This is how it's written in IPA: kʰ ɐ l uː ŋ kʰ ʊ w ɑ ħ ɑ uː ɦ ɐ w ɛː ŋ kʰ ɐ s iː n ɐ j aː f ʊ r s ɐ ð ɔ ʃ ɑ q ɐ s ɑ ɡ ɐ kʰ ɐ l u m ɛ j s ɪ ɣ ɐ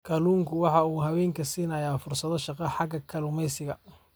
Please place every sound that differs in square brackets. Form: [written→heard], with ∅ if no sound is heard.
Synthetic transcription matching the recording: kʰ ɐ l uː ŋ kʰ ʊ w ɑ ħ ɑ uː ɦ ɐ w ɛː ŋ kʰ ɐ s iː n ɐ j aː f ʊ r s ɐ ð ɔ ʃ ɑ q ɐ [s→ħ] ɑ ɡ ɐ kʰ ɐ l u m ɛ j s ɪ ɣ ɐ